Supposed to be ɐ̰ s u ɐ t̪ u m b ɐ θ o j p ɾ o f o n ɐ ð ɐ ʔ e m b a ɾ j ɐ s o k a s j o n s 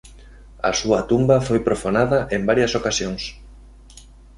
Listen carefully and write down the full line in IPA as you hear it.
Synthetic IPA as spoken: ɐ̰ s u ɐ t̪ u m b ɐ f o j p ɾ o f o n a ð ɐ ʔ e m b a ɾ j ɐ s o k a s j o ŋ s